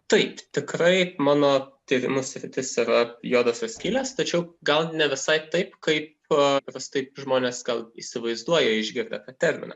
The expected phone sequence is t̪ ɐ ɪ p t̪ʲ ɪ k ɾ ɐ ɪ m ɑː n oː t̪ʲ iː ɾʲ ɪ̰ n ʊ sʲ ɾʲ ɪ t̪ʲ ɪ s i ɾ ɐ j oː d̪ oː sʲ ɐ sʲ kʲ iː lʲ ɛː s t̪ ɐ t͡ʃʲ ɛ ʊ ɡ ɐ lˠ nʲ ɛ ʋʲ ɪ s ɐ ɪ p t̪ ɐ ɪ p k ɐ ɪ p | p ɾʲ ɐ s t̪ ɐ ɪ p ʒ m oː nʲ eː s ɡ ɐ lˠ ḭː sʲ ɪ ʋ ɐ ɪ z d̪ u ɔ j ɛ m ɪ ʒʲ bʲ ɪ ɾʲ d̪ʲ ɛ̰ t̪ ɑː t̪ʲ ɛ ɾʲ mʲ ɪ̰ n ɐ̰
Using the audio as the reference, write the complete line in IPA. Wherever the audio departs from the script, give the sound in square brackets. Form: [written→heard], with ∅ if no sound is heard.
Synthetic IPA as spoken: t̪ ɐ ɪ p t̪ʲ ɪ k ɾ ɐ ɪ m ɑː n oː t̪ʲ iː ɾʲ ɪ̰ [n→m] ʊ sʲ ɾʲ ɪ t̪ʲ ɪ s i ɾ ɐ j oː d̪ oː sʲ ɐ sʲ kʲ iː lʲ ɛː s t̪ ɐ t͡ʃʲ ɛ ʊ ɡ ɐ lˠ nʲ ɛ ʋʲ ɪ s ɐ ɪ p t̪ ɐ ɪ p k ɐ ɪ p | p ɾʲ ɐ s t̪ ɐ ɪ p ʒ m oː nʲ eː s ɡ ɐ lˠ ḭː sʲ ɪ ʋ ɐ ɪ z d̪ u ɔ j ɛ [m→∅] ɪ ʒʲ [bʲ→ɡʲ] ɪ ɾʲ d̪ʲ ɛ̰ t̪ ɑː t̪ʲ ɛ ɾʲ mʲ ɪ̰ n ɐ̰